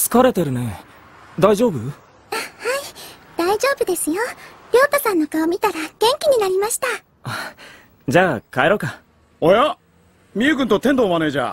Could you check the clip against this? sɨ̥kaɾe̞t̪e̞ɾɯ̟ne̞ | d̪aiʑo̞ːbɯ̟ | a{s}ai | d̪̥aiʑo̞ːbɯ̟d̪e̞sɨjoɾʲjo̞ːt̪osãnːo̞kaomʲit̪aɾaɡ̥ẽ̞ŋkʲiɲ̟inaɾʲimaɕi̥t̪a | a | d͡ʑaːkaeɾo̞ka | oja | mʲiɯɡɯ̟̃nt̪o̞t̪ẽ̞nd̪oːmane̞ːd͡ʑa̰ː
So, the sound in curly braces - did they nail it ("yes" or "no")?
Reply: no